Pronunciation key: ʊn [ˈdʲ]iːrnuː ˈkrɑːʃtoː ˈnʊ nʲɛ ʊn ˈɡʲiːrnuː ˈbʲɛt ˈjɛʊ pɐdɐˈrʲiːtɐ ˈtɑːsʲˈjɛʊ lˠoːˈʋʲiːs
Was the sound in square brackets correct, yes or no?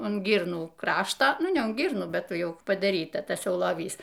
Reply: no